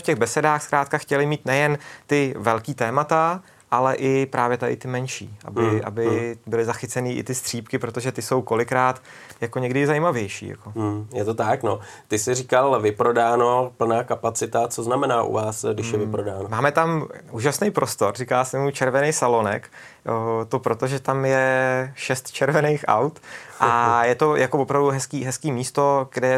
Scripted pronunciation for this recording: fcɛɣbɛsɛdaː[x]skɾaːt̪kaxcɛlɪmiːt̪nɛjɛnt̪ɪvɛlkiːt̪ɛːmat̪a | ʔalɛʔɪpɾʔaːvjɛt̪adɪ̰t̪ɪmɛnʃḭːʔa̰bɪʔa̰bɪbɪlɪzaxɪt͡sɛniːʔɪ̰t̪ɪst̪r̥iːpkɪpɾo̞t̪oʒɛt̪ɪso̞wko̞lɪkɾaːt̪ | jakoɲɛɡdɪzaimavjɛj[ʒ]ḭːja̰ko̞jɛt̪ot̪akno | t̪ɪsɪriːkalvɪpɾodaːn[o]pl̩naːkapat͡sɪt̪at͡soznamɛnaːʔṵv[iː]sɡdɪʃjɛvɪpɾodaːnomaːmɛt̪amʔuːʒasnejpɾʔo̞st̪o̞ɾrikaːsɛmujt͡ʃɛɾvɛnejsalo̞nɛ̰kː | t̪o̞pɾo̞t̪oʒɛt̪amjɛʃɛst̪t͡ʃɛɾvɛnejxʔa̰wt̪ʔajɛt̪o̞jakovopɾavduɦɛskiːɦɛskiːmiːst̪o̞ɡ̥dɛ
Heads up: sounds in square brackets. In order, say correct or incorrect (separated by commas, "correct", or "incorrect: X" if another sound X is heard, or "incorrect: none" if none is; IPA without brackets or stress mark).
correct, incorrect: ʃ, correct, incorrect: aː